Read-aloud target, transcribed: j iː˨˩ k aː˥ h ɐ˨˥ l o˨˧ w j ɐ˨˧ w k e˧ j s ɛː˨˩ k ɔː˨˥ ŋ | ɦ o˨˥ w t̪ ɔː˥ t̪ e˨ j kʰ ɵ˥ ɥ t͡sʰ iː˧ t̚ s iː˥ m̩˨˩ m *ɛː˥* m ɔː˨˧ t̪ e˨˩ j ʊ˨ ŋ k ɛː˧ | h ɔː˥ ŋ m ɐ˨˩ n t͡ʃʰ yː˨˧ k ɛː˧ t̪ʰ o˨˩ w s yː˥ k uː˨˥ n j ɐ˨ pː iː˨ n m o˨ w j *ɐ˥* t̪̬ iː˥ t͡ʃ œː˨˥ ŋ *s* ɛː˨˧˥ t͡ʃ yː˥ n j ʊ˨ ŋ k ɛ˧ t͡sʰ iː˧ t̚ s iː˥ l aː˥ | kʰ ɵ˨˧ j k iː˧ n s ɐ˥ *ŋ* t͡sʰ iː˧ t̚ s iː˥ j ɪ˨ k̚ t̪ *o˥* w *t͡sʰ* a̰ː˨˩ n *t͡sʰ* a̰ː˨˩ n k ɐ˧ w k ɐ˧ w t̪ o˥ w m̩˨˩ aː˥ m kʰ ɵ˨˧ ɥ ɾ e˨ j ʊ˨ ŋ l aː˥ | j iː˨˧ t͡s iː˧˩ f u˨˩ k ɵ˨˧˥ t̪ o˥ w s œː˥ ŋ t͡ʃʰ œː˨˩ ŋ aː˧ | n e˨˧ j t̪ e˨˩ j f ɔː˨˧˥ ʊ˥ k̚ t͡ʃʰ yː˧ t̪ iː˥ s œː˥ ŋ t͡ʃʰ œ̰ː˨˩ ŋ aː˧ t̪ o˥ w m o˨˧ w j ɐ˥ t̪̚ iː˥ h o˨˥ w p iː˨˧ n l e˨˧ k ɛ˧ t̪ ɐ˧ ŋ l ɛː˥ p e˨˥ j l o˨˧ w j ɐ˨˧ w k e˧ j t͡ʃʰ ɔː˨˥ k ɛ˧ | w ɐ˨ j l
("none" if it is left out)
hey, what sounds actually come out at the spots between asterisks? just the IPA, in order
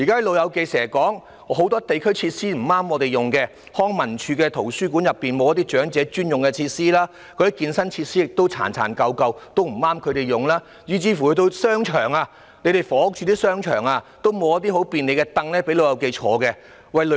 aː˥, ɐ˥, t͡s, n, o˥, t͡sʰ, t͡sʰ

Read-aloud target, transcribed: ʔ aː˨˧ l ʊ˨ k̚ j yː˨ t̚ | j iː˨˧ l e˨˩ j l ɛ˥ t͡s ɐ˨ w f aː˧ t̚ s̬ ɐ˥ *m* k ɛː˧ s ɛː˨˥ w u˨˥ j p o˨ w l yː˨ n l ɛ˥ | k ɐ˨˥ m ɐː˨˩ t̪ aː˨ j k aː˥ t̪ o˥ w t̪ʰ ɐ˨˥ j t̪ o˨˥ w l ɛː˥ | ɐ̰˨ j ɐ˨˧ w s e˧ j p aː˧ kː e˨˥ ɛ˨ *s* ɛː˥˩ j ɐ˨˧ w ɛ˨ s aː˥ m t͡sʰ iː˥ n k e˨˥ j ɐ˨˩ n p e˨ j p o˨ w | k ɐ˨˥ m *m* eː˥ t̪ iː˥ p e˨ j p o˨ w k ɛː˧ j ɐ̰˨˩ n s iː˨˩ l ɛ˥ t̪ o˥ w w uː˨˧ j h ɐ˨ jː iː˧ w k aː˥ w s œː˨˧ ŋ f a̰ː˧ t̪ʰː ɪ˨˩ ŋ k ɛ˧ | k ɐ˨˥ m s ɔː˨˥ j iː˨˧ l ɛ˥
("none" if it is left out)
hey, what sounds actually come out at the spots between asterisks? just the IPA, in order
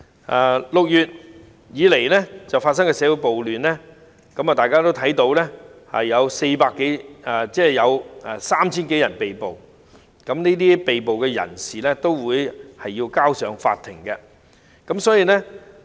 ŋ, t͡s, n

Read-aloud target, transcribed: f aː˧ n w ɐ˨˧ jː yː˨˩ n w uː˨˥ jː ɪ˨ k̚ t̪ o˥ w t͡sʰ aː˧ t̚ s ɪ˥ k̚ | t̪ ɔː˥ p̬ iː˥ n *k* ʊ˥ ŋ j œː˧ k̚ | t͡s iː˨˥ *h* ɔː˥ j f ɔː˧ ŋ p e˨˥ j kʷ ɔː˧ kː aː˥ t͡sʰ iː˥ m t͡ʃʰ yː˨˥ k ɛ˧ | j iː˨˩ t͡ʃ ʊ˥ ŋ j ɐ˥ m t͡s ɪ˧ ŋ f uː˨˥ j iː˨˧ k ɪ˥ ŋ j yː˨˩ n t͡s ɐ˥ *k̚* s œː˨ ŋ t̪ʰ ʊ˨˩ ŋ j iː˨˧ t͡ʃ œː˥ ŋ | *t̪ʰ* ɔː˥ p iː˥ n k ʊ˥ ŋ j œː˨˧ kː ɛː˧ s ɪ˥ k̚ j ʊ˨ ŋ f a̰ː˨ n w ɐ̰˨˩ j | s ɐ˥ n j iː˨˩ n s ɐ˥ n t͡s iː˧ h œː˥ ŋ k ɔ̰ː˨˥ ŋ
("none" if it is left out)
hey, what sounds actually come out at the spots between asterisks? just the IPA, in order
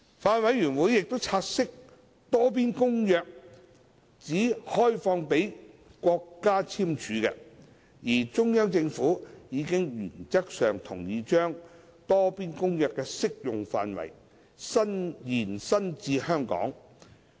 k, h, k̚, t̪

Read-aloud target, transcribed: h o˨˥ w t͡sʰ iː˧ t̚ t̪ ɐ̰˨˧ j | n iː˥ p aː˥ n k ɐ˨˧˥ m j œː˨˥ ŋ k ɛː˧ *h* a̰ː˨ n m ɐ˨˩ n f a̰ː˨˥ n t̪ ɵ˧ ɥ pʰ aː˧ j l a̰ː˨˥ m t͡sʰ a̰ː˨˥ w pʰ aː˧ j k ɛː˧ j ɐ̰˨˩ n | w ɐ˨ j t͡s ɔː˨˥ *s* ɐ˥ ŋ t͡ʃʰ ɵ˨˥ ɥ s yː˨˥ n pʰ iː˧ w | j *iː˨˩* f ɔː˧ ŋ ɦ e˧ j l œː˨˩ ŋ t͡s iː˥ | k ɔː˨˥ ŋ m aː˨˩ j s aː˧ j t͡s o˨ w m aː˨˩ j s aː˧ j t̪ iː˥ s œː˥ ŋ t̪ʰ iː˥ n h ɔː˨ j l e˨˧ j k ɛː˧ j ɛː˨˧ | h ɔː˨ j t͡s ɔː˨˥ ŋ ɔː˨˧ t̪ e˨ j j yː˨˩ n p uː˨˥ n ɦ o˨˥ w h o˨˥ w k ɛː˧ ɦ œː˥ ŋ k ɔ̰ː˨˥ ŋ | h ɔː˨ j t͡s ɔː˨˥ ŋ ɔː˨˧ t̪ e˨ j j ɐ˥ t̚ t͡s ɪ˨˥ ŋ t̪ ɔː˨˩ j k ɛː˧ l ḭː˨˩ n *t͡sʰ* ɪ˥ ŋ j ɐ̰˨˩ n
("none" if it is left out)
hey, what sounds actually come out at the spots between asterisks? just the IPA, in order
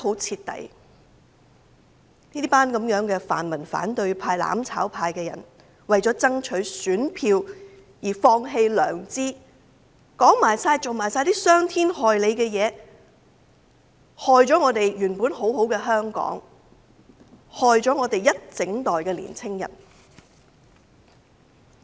f, t͡s, iː˨˩, t͡sʰ

